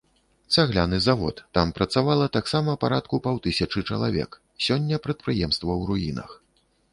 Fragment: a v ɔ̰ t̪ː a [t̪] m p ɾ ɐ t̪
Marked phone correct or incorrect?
incorrect